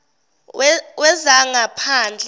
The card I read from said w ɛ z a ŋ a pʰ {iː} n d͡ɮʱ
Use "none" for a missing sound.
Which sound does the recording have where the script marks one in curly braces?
aː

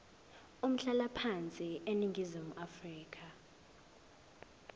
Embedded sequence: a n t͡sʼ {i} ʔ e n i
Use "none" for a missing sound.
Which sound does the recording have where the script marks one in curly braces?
i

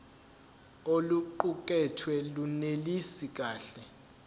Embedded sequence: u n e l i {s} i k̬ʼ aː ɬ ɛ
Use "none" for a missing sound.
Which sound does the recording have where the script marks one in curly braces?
s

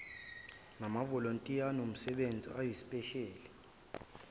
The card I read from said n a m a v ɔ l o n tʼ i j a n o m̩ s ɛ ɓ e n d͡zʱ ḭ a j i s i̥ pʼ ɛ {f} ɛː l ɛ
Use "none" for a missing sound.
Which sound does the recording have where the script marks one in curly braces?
ʃ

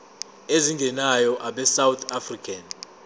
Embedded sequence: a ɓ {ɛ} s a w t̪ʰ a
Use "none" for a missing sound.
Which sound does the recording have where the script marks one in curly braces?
ɛ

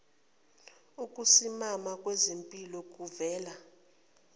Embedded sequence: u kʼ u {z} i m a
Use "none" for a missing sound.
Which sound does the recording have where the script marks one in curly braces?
s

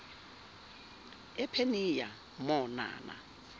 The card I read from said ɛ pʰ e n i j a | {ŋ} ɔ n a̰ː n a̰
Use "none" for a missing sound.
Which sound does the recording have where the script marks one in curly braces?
m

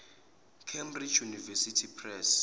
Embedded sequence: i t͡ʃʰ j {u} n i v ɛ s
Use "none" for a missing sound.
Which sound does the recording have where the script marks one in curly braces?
u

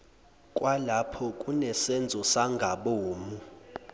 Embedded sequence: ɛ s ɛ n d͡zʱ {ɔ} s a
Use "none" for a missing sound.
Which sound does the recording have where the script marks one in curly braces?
ɔ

